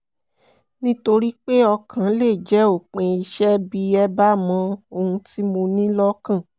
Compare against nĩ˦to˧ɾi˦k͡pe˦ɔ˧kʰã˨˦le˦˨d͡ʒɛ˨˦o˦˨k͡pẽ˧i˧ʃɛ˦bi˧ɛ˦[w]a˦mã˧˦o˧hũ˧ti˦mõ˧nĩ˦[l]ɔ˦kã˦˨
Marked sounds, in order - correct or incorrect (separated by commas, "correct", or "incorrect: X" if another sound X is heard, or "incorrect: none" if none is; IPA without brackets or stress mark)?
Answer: incorrect: b, correct